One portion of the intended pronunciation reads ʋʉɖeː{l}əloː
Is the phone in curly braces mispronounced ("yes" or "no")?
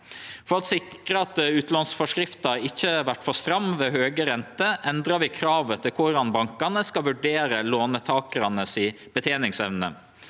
yes